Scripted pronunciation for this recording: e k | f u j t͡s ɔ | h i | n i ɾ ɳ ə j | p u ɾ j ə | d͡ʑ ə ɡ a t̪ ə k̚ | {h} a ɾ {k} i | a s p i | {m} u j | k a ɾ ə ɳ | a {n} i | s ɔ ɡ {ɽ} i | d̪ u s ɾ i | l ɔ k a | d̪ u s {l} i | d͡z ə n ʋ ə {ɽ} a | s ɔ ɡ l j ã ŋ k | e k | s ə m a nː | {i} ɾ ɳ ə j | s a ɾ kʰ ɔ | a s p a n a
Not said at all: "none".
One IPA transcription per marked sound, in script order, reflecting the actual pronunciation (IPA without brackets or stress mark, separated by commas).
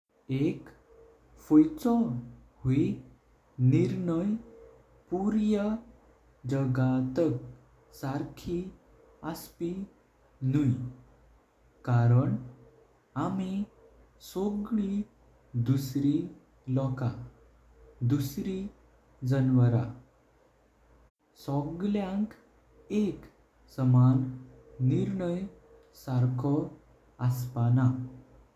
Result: s, kʰ, n, m, ɭ, ɾ, ɾ, i